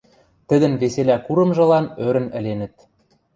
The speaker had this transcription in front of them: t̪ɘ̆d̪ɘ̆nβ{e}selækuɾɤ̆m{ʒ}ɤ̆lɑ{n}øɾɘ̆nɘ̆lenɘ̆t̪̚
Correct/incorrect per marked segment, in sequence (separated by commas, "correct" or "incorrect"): correct, correct, correct